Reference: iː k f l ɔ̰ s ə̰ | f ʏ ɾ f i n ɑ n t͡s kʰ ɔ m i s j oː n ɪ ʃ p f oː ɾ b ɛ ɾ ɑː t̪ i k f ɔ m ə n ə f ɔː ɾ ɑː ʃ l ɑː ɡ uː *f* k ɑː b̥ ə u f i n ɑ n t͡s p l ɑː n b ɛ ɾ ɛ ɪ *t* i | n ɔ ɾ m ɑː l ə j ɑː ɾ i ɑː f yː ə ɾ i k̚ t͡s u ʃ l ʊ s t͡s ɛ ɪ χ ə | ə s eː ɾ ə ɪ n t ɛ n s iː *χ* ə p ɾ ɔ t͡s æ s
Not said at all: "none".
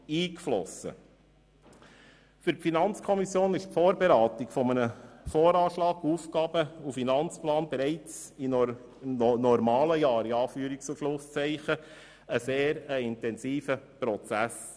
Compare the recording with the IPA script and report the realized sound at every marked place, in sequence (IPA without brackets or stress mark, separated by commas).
f, t͡s, f